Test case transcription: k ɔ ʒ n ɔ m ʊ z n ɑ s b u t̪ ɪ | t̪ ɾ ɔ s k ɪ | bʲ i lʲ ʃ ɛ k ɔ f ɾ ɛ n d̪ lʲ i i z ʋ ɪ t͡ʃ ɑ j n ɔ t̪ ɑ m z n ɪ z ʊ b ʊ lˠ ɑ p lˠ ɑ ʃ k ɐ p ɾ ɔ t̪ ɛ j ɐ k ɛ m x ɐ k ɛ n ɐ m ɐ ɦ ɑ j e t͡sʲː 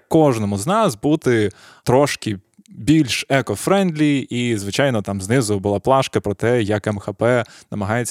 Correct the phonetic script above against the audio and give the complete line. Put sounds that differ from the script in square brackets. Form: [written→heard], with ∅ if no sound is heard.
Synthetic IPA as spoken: k ɔ ʒ n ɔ m ʊ z n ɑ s b u t̪ ɪ | t̪ ɾ ɔ [s→ʃ] k ɪ | bʲ i lʲ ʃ ɛ k ɔ f ɾ ɛ n d̪ lʲ i i z ʋ ɪ t͡ʃ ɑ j n ɔ t̪ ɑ m z n ɪ z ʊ b ʊ lˠ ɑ p lˠ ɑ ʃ k ɐ p ɾ ɔ t̪ ɛ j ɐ k ɛ m x ɐ [k→p] ɛ n ɐ m ɐ ɦ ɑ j e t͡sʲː